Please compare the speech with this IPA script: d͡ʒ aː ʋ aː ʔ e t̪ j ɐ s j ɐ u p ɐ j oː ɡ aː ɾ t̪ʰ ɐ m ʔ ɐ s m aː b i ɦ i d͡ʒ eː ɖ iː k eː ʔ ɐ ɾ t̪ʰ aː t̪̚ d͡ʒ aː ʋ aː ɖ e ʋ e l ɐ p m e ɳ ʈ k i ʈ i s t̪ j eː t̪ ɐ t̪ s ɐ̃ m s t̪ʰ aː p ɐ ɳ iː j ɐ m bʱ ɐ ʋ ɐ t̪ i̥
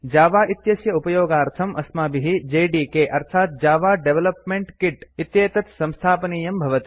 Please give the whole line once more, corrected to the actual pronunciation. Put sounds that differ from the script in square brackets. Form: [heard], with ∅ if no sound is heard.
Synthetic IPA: d͡ʒ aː ʋ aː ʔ [i] t̪ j ɐ s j ɐ u p ɐ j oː ɡ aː ɾ t̪ʰ ɐ m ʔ ɐ s m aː b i ɦ i d͡ʒ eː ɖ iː k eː ʔ ɐ ɾ t̪ʰ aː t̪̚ d͡ʒ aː ʋ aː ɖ e ʋ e l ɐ p m e ɳ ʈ k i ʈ i [∅] t̪ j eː t̪ ɐ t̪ s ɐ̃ m s t̪ʰ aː p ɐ [n] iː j ɐ m bʱ ɐ ʋ ɐ t̪ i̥

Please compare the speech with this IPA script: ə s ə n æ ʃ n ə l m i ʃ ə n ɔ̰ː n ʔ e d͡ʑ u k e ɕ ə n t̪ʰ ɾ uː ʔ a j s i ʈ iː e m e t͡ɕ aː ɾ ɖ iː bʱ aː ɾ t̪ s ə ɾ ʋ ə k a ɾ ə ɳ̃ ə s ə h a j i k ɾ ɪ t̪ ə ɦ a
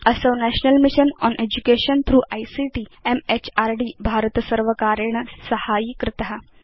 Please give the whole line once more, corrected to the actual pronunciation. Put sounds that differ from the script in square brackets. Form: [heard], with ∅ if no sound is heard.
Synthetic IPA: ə s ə n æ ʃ n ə l m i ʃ ə n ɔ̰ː n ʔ e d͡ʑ u k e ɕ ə n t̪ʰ ɾ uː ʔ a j s i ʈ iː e m e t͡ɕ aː ɾ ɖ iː bʱ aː ɾ t̪ s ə ɾ ʋ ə k a ɾ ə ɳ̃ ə s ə h a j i k ɾ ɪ t̪ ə ɦ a

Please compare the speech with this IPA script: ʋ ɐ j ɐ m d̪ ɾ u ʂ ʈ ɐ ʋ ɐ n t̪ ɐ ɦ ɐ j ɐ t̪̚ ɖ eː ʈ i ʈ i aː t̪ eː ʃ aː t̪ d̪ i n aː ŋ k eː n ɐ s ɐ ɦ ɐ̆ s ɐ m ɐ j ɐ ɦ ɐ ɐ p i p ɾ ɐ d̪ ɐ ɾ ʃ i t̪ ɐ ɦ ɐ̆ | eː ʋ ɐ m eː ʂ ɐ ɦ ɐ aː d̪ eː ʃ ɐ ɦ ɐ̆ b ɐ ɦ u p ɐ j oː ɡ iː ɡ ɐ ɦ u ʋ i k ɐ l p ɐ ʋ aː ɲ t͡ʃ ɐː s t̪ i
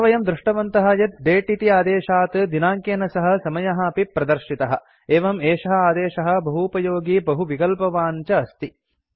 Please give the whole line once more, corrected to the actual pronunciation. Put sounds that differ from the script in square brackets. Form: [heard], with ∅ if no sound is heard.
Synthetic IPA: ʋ ɐ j ɐ m d̪ ɾ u ʂ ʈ ɐ ʋ ɐ n t̪ ɐ ɦ ɐ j ɐ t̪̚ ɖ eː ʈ i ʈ i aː [d̪] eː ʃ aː t̪ d̪ i n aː ŋ k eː n ɐ s ɐ ɦ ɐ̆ s ɐ m ɐ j ɐ ɦ ɐ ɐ p i p ɾ ɐ d̪ ɐ ɾ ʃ i t̪ ɐ ɦ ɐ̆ | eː ʋ ɐ m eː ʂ ɐ ɦ ɐ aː d̪ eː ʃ ɐ ɦ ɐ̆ b ɐ ɦ u p ɐ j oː ɡ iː [b] ɐ ɦ u ʋ i k ɐ l p ɐ ʋ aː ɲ t͡ʃ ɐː s t̪ i

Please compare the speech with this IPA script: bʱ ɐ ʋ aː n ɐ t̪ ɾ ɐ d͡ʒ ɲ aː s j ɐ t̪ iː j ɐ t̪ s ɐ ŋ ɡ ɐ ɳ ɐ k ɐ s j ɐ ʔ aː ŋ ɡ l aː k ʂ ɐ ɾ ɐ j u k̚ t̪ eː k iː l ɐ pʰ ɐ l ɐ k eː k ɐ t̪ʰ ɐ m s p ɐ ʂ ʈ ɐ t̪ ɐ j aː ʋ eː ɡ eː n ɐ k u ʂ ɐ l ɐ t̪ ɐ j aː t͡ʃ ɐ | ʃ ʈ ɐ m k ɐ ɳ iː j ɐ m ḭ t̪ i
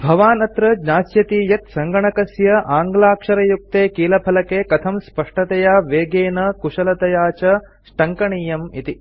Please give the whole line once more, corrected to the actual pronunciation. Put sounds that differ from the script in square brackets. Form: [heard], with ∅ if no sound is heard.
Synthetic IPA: bʱ ɐ ʋ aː n ɐ t̪ ɾ ɐ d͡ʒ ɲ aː s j ɐ t̪ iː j ɐ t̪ s ɐ ŋ ɡ ɐ ɳ ɐ k ɐ s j ɐ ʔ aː ŋ ɡ l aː k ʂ ɐ ɾ ɐ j u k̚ t̪ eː k iː l ɐ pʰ ɐ l ɐ k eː k ɐ t̪ʰ ɐ m s p ɐ ʂ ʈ ɐ t̪ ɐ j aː ʋ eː ɡ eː n ɐ k u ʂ ɐ l ɐ t̪ ɐ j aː t͡ʃ ɐ | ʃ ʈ ɐ [ŋ] k ɐ ɳ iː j ɐ m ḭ t̪ i

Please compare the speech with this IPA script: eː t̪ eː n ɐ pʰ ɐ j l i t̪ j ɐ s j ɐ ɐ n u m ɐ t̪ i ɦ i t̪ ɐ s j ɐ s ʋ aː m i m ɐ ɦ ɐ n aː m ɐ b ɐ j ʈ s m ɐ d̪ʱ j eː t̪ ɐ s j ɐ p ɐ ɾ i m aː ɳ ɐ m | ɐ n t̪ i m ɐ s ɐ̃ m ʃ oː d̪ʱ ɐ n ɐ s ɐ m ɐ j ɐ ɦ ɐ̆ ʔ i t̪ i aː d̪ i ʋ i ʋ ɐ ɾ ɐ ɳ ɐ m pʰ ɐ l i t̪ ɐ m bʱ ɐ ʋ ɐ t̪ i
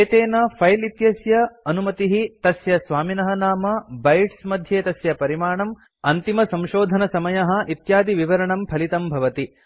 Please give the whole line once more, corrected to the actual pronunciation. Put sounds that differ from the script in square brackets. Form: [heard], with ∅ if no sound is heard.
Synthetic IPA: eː t̪ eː n ɐ pʰ ɐ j l i t̪ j ɐ s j ɐ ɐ n u m ɐ t̪ i ɦ i t̪ ɐ s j ɐ s ʋ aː m i [n] ɐ ɦ ɐ n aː m ɐ b ɐ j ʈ s m ɐ d̪ʱ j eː t̪ ɐ s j ɐ p ɐ ɾ i m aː ɳ ɐ m | ɐ n t̪ i m ɐ s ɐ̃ m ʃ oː d̪ʱ ɐ n ɐ s ɐ m ɐ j ɐ ɦ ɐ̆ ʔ i t̪ [j] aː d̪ i ʋ i ʋ ɐ ɾ ɐ ɳ ɐ m pʰ ɐ l i t̪ ɐ m bʱ ɐ ʋ ɐ t̪ i

